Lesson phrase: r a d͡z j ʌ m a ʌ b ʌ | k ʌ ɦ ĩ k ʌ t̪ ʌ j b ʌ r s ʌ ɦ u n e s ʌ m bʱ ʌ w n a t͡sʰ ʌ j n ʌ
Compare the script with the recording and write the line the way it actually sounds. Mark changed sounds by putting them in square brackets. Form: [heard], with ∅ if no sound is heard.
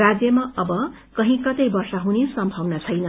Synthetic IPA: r a d͡z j ʌ m a ʌ b ʌ | k ʌ ɦ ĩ k ʌ t̪ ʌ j b ʌ r s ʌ ɦ u n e s ʌ m bʱ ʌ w n a t͡sʰ ʌ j n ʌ